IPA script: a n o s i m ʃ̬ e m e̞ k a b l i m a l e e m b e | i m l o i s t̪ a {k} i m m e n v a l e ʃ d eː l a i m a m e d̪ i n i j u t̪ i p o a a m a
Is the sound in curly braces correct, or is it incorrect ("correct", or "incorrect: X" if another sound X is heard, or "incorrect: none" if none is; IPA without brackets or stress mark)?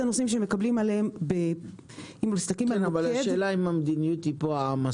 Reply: correct